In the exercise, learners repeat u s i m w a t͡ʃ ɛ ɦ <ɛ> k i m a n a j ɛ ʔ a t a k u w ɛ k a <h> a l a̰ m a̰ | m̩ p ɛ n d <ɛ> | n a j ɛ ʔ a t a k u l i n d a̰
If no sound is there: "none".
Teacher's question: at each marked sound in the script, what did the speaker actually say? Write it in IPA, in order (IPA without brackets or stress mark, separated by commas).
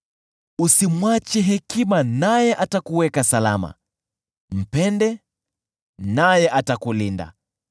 ɛ, s, ɛ